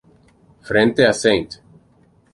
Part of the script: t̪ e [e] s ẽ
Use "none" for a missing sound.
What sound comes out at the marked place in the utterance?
a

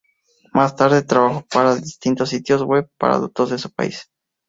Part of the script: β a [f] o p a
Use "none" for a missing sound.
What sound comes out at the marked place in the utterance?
x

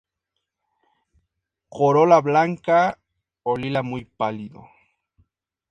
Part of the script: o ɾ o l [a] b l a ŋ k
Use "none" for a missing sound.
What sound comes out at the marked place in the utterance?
a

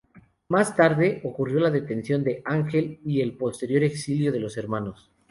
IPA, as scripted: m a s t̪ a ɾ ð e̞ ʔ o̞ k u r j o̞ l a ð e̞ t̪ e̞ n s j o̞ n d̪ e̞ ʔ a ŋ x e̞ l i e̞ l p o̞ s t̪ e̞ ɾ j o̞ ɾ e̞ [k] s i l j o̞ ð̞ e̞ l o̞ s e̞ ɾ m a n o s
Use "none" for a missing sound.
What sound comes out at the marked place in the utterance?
k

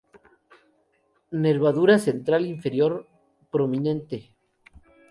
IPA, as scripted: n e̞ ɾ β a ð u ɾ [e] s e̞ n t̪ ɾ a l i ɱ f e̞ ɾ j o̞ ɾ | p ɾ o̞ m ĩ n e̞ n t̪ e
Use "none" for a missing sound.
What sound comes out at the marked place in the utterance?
a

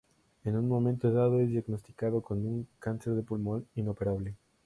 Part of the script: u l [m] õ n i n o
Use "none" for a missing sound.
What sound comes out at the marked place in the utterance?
m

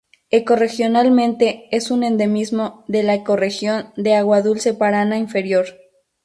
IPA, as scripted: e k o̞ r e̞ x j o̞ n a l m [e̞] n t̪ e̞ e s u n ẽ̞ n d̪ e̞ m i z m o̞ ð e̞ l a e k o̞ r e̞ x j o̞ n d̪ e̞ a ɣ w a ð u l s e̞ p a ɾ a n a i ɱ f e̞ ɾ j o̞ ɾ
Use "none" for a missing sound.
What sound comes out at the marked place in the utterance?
ẽ̞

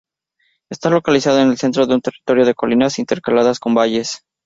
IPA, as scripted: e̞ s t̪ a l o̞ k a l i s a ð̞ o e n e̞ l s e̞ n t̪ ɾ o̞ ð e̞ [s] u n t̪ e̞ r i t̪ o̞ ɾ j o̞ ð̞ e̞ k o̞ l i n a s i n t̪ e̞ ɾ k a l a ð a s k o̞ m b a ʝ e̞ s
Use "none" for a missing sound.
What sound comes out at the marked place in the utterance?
none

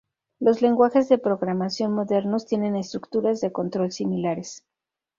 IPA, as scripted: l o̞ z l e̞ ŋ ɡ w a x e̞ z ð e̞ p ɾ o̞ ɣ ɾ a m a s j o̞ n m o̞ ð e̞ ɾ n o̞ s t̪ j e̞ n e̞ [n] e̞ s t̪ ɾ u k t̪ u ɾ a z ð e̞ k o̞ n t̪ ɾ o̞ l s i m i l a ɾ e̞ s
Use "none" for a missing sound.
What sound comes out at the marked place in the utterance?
n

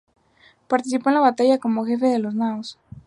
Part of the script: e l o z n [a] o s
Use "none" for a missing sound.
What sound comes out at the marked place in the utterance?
a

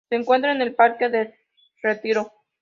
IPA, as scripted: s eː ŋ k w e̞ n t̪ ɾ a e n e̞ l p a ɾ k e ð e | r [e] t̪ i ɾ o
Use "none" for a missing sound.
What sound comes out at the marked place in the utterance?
e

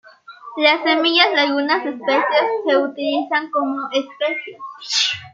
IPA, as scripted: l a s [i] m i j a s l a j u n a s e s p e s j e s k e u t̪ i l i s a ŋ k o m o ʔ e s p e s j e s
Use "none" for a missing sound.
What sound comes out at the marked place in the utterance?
e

